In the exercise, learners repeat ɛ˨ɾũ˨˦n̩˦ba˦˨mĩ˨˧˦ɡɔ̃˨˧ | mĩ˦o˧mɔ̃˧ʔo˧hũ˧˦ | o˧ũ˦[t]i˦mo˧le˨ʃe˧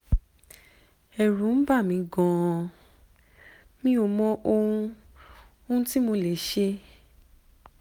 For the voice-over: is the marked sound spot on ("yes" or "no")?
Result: yes